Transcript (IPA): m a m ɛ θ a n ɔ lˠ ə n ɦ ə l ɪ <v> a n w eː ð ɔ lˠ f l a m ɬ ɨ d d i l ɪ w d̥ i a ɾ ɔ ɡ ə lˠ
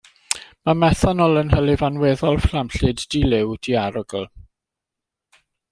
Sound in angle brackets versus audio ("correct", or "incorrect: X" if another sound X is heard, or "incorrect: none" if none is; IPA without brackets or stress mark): correct